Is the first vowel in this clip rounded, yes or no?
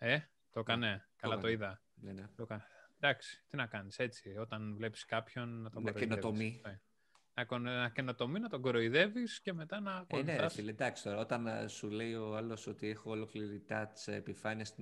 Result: no